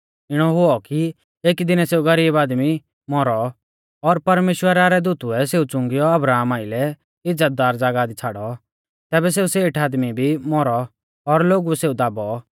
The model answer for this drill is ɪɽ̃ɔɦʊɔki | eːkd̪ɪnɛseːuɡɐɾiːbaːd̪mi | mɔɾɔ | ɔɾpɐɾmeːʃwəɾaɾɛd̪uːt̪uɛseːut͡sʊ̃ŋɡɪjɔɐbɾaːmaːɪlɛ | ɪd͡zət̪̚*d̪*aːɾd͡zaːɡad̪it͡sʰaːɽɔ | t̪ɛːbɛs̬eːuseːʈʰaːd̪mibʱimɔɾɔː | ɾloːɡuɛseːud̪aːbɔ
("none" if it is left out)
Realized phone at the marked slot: d̪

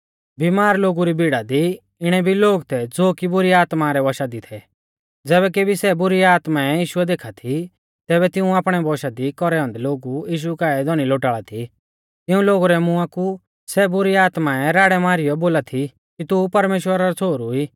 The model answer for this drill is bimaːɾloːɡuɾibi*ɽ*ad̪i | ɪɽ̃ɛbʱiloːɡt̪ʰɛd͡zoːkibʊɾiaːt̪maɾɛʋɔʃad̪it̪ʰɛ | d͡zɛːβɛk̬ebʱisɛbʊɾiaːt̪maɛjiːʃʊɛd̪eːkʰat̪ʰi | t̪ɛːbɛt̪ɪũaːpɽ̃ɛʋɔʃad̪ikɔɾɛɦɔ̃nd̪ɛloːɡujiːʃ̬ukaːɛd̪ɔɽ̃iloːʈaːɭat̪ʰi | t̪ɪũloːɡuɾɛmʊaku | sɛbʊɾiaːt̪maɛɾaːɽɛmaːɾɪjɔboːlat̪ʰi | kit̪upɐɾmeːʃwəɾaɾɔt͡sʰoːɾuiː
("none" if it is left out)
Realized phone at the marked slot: ɽ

